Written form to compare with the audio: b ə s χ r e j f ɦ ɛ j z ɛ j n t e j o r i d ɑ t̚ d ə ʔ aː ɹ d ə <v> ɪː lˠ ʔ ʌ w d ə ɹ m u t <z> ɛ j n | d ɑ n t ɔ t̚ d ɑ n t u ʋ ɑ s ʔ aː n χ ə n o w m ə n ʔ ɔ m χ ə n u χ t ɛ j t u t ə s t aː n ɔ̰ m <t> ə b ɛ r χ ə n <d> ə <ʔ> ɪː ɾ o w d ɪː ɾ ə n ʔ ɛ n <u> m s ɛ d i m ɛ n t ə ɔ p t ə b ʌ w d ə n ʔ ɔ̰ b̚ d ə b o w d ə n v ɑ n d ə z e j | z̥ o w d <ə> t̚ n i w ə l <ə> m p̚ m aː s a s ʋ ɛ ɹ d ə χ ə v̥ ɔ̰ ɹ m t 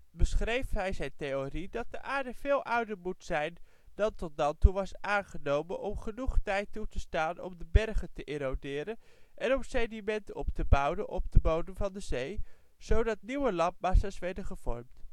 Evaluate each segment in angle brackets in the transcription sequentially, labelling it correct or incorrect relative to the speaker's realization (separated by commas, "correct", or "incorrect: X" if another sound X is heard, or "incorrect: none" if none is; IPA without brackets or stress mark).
correct, incorrect: s, incorrect: d, incorrect: t, correct, incorrect: ɔ, incorrect: ɑ, incorrect: ɑ